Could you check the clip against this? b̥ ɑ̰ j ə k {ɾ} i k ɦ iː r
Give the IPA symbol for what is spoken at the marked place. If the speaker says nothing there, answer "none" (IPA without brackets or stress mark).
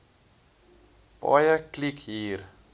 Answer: l